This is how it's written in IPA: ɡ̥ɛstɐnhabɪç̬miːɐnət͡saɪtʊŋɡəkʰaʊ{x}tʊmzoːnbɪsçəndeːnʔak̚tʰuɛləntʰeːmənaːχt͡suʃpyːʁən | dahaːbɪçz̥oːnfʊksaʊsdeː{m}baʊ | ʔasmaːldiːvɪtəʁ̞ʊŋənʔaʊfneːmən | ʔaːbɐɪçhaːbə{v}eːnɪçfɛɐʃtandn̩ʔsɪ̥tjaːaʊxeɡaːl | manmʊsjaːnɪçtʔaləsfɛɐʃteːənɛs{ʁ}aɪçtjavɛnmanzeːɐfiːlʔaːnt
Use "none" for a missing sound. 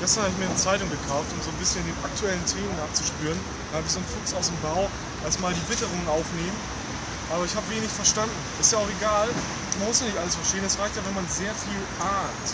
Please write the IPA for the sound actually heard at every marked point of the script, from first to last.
f, m, v, ʁ

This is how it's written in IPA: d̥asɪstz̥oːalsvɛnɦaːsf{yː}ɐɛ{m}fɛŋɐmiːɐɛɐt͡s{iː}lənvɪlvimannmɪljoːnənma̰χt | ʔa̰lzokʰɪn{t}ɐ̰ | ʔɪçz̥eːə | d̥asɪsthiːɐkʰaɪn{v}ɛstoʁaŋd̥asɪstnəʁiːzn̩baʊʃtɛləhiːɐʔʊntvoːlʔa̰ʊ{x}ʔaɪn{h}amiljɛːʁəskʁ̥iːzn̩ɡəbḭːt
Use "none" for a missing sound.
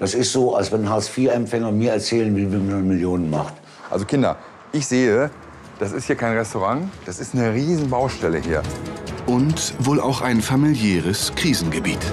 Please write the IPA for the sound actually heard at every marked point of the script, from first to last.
iː, m, ɛː, d, ʁ, x, f

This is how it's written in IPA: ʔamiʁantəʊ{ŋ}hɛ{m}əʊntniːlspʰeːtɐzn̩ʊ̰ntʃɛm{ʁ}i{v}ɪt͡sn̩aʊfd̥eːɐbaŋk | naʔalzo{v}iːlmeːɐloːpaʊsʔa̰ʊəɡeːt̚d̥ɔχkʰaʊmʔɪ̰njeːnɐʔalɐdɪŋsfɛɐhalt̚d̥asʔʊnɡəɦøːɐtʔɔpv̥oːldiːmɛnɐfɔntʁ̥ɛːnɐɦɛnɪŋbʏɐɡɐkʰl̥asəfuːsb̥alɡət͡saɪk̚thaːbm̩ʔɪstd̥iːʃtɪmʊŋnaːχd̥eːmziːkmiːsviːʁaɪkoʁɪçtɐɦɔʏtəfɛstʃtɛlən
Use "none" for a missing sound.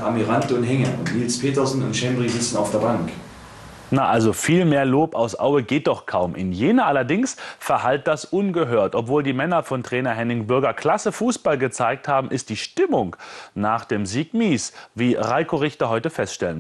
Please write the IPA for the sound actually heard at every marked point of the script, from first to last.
n, ŋ, ʁ, z, f

